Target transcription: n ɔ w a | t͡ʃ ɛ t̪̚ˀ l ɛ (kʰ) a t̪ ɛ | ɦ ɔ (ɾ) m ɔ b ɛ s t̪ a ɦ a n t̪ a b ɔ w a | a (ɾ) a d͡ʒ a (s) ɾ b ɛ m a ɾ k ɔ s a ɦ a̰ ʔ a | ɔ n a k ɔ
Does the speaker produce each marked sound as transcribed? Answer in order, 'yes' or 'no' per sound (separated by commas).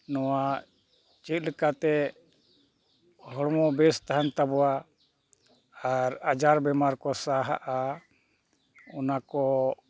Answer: no, no, yes, no